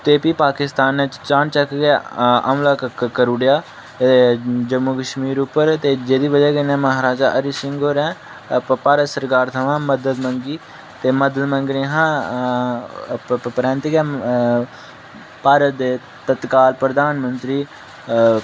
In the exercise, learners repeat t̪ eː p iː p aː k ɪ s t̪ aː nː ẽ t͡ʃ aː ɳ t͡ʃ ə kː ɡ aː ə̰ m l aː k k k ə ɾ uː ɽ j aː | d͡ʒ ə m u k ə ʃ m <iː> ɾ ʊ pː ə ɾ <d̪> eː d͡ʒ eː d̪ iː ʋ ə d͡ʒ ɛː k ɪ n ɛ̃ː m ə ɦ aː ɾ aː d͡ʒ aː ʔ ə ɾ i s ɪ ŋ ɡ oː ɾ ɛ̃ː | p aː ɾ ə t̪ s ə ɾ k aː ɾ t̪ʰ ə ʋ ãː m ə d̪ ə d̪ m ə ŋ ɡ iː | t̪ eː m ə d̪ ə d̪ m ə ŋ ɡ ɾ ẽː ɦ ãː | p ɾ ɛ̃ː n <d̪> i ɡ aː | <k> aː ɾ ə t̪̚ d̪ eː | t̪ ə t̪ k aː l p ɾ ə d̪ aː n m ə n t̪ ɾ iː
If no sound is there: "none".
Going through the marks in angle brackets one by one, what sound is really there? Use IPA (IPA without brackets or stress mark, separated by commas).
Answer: iː, t̪, t̪, p